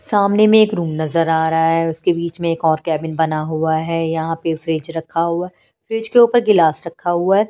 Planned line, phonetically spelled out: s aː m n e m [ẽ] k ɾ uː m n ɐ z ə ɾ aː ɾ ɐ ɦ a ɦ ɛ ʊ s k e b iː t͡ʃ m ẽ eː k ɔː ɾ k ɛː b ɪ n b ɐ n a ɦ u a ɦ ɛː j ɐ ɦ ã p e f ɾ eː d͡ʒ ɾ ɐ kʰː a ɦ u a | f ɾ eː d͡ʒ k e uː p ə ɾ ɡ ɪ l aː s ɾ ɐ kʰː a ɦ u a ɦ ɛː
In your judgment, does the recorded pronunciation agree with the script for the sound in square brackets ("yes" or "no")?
no